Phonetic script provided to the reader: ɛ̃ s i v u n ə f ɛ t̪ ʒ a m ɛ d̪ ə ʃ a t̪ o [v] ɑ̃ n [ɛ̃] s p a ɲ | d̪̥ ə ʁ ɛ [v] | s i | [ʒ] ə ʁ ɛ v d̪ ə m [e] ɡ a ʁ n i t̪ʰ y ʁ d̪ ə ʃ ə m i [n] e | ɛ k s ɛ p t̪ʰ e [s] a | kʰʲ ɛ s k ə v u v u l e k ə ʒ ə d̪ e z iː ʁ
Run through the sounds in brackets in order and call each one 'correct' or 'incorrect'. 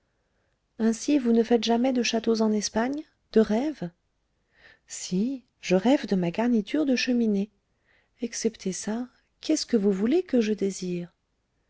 incorrect: z, incorrect: ɛ, correct, correct, incorrect: a, correct, correct

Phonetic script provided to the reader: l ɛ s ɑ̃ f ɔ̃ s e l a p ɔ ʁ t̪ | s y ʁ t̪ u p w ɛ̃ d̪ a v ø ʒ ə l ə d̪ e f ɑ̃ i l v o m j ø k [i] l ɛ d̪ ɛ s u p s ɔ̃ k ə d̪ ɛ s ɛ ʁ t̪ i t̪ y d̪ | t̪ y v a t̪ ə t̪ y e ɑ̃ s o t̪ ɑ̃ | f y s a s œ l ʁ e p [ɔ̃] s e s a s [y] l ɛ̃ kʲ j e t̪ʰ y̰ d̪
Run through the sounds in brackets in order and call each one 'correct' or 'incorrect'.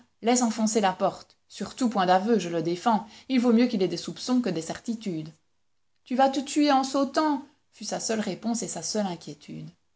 correct, correct, incorrect: œ

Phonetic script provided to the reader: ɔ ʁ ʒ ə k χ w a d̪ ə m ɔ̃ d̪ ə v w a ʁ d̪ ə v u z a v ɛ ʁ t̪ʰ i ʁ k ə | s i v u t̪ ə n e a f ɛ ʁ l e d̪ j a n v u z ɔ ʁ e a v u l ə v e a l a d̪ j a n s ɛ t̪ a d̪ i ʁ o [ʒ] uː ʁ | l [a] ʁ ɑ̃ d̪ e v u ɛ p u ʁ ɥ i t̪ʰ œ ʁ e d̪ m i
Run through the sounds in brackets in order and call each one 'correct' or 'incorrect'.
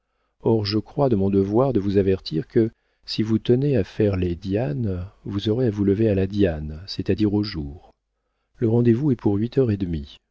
correct, incorrect: ə

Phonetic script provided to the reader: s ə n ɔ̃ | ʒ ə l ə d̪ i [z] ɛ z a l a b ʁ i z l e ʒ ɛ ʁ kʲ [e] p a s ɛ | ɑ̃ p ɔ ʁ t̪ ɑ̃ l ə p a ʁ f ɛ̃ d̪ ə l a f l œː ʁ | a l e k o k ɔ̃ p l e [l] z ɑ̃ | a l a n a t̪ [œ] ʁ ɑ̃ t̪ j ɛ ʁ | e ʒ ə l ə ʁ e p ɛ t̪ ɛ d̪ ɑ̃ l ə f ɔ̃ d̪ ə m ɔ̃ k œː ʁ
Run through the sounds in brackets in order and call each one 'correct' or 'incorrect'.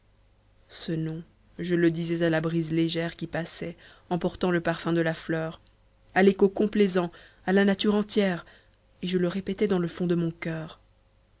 correct, incorrect: i, incorrect: none, incorrect: y

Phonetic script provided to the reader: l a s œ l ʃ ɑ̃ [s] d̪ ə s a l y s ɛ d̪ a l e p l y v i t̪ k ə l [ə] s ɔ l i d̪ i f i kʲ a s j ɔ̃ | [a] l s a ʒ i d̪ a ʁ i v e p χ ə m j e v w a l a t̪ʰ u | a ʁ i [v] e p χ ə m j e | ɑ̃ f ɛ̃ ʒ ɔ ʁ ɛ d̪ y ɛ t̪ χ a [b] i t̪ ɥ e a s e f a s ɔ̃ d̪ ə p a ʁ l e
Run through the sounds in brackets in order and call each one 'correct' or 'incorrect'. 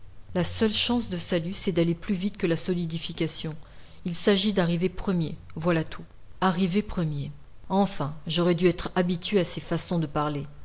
correct, incorrect: a, incorrect: i, correct, correct

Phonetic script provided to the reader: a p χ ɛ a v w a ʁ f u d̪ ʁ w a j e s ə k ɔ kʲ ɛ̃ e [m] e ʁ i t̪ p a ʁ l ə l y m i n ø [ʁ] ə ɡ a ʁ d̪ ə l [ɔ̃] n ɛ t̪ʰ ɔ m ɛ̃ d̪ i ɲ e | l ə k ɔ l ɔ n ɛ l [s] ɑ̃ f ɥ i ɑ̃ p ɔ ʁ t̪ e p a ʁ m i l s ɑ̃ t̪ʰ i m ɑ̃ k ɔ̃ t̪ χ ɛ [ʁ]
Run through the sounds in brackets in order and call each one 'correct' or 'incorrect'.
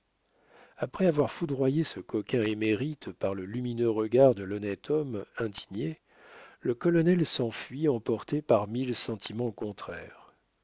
correct, correct, incorrect: ɔ, correct, correct

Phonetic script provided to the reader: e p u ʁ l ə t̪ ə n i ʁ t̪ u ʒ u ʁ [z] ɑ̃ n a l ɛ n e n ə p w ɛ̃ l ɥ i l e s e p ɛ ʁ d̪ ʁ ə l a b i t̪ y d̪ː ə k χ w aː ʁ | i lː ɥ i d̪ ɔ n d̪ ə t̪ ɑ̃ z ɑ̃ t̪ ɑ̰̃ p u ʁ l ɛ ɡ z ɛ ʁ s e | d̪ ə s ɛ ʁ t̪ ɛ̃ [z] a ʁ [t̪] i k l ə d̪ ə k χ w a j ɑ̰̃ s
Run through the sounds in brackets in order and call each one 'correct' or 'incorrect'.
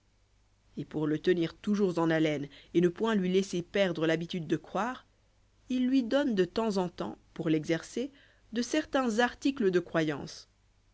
correct, correct, correct

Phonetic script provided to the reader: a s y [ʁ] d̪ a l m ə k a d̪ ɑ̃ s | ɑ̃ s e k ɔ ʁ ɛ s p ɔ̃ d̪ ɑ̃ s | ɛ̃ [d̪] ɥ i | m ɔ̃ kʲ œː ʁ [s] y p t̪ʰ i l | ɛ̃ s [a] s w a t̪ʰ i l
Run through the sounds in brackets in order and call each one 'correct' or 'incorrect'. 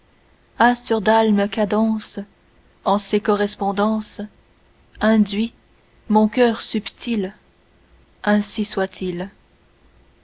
correct, correct, correct, incorrect: i

